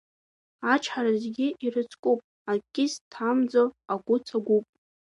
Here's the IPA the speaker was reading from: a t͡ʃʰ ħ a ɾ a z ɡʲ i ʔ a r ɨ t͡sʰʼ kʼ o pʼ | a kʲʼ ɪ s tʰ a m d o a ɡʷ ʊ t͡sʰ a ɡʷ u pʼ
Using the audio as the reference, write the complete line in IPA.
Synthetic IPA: a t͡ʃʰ ħ a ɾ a z ɡʲ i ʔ i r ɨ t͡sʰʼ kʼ u pʼ | a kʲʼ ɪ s tʰ a m d͡z o a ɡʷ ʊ t͡sʰ a ɡʷ u pʼ